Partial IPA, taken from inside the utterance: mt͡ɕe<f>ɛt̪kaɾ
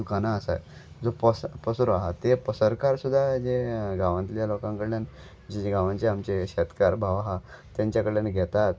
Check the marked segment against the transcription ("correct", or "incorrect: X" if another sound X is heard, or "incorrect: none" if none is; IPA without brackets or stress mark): incorrect: ɕ